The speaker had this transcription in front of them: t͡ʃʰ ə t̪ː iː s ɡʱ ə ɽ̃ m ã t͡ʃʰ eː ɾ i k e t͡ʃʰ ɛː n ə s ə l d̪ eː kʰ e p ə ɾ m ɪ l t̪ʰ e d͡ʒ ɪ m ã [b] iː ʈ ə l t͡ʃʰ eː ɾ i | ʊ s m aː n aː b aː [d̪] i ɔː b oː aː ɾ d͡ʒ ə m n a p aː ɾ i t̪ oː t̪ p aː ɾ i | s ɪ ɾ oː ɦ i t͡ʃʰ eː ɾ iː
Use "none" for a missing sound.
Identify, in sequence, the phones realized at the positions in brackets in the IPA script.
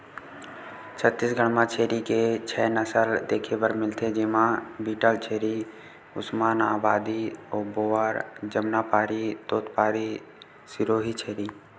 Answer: b, d̪

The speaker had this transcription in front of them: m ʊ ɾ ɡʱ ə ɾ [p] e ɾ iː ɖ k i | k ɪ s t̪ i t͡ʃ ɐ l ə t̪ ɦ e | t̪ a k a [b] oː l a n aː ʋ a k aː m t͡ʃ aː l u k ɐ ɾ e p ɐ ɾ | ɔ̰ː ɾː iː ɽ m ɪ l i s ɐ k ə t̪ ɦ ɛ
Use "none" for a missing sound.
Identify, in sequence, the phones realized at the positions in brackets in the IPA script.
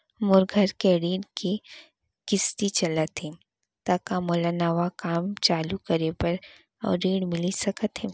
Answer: k, m

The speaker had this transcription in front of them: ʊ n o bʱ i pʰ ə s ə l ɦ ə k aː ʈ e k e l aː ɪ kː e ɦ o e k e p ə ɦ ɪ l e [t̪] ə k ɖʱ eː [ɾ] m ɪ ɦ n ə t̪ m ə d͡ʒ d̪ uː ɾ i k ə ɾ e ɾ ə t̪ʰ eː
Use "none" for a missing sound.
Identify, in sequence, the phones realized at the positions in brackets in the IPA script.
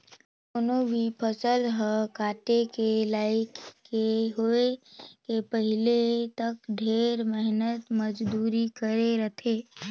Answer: t̪, ɾ

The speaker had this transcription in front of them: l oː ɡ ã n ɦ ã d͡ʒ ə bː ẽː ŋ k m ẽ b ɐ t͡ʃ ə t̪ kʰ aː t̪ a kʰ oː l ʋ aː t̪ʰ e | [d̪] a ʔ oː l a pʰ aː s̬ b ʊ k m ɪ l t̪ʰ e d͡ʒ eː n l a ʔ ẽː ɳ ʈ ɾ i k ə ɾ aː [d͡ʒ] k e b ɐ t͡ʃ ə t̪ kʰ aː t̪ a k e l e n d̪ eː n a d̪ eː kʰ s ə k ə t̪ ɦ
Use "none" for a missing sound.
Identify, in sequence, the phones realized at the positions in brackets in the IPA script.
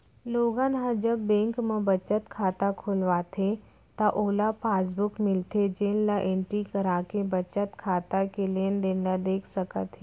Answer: t̪, none

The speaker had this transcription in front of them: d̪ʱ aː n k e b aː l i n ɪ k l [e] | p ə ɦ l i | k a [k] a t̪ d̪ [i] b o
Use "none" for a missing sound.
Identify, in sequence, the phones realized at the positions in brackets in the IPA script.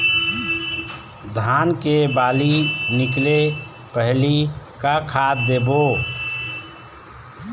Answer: e, kʰ, e

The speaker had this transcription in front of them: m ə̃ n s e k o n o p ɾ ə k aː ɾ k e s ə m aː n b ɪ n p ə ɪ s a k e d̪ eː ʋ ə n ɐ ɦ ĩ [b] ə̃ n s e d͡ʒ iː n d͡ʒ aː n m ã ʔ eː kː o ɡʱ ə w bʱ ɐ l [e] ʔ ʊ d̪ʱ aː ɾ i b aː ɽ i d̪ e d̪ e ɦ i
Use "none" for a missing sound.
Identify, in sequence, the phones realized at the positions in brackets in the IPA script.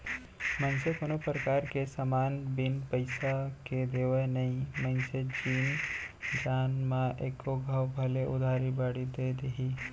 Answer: m, e

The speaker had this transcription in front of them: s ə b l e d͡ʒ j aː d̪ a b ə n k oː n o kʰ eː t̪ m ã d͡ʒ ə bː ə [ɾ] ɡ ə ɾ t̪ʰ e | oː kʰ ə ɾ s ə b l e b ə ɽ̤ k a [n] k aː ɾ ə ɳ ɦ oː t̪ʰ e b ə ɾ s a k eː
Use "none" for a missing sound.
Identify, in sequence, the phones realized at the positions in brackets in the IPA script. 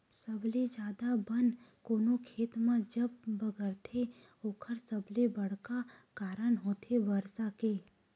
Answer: none, none

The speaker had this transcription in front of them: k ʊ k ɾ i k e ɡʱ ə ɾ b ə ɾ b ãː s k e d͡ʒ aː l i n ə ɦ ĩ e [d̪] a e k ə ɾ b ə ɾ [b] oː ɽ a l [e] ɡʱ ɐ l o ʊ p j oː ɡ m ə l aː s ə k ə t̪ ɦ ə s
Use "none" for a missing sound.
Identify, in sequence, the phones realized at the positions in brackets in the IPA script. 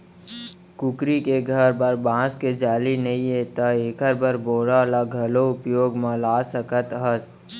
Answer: t̪, b, a

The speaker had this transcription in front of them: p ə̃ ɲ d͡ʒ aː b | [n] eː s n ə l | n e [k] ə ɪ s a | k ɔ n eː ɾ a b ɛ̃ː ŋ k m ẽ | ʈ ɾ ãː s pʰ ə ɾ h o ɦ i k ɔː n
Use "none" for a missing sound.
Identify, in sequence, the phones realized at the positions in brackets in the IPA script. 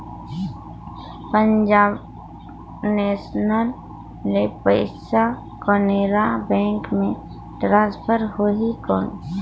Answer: n, p

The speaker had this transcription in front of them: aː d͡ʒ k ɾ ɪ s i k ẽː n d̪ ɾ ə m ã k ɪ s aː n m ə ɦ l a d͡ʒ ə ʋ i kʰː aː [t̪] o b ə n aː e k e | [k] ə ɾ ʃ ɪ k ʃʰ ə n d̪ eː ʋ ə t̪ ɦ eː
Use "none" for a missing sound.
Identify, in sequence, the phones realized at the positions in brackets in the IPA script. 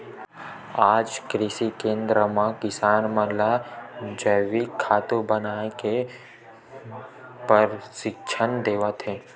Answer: t̪, p

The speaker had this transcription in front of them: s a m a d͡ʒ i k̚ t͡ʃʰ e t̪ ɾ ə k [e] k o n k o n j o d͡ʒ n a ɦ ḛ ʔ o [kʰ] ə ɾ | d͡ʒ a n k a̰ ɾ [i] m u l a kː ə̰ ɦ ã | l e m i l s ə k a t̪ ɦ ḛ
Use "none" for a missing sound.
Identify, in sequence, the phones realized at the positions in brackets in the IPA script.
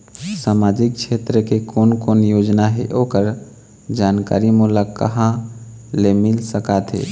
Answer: e, k, i

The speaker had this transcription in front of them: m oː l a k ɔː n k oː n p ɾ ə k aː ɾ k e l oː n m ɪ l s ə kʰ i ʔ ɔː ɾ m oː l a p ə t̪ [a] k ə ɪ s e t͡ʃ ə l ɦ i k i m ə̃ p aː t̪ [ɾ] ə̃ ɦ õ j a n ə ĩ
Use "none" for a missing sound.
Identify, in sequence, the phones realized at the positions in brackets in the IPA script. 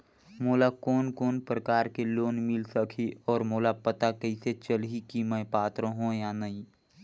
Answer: a, ɾ

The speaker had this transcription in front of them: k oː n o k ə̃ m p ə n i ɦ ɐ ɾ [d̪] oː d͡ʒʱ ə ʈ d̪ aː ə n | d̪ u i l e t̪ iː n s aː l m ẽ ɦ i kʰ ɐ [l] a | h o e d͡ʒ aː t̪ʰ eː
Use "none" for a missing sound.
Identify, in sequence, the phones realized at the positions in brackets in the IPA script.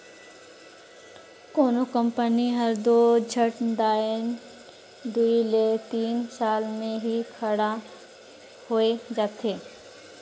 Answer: d̪, ɽ

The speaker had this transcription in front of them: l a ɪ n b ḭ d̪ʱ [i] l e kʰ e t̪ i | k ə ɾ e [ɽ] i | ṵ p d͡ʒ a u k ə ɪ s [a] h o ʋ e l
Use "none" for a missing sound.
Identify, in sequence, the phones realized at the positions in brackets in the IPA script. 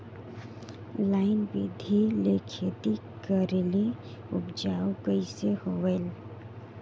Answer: i, l, e

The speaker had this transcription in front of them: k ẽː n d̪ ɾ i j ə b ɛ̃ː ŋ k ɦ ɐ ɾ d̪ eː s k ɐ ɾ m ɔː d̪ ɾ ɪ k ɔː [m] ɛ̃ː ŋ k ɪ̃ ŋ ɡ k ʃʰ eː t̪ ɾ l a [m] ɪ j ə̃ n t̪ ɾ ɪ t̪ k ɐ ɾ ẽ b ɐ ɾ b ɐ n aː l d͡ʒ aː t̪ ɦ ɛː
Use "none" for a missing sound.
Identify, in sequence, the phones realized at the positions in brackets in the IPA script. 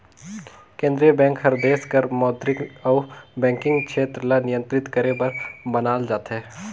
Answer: b, n

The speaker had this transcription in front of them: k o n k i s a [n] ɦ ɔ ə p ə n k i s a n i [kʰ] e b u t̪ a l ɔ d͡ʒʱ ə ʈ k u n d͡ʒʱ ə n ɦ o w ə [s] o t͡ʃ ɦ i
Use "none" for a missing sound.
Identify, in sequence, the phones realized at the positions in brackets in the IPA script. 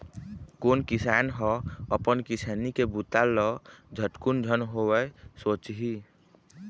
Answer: n, k, s

